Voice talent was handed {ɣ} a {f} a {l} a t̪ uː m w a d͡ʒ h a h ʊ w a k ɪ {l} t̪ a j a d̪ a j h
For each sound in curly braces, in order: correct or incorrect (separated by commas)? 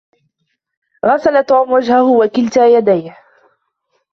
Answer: correct, incorrect, correct, correct